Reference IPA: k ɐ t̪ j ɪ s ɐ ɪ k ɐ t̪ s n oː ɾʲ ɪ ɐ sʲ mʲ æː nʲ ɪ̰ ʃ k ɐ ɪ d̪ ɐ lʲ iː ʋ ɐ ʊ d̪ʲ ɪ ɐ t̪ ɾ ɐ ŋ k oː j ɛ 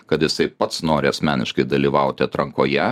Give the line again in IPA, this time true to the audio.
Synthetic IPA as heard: k ɐ t̪ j ɪ s ɐ ɪ p ɐ t̪ s n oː ɾʲ ɪ ɐ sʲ mʲ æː nʲ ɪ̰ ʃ k ɐ ɪ d̪ ɐ lʲ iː ʋ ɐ ʊ t̪ʲ ɪ ɐ t̪ ɾ ɐ ŋ k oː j ɛ